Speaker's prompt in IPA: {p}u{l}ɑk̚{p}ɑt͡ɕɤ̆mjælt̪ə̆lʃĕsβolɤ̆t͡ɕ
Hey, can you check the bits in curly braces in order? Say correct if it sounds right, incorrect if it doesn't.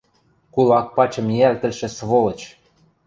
incorrect: k, correct, correct

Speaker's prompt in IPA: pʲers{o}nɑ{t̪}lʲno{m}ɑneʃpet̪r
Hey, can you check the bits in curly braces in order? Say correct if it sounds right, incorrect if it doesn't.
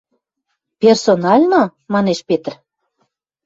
correct, incorrect: none, correct

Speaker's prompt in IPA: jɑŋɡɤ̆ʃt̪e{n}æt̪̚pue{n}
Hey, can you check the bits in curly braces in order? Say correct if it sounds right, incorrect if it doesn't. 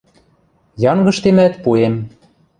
incorrect: m, incorrect: m

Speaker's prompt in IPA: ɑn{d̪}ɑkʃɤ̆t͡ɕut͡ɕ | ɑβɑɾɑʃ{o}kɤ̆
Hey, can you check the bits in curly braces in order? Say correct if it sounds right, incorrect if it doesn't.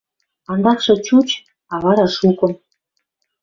correct, incorrect: u

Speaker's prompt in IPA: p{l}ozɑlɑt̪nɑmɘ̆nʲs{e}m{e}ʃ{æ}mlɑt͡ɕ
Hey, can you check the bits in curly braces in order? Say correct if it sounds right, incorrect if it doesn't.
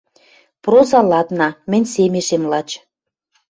incorrect: r, correct, correct, incorrect: e

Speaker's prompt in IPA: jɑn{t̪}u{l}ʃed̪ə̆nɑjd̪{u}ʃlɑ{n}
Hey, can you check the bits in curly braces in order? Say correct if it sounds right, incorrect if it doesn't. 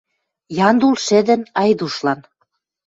incorrect: d̪, correct, correct, correct

